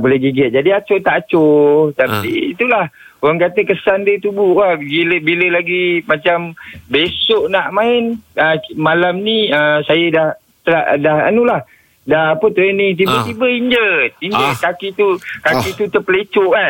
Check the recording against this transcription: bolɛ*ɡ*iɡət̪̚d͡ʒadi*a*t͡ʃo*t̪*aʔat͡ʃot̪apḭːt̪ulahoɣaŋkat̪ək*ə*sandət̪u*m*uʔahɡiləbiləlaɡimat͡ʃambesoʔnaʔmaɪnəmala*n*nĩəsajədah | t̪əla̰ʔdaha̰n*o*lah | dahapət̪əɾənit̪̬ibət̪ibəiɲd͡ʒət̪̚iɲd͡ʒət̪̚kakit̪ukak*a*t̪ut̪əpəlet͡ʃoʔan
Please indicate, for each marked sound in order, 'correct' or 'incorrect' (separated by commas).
correct, correct, correct, correct, incorrect, incorrect, incorrect, incorrect